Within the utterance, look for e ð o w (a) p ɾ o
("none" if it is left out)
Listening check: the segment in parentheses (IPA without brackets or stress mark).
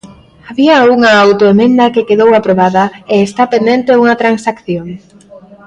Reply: a